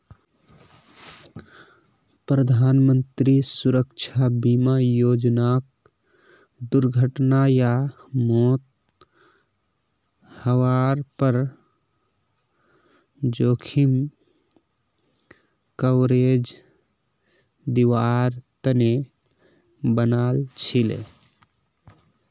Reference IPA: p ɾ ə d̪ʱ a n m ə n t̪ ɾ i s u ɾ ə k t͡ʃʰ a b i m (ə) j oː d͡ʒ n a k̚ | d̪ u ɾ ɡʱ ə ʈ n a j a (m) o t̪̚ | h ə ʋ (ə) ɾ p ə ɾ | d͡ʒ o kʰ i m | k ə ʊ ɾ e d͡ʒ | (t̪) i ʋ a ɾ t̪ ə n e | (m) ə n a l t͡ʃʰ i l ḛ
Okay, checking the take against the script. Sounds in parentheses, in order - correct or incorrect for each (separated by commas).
incorrect, correct, incorrect, incorrect, incorrect